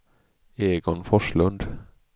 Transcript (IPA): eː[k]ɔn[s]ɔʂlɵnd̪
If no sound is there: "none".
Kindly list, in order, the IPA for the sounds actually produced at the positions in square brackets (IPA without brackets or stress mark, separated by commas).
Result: ɡ, f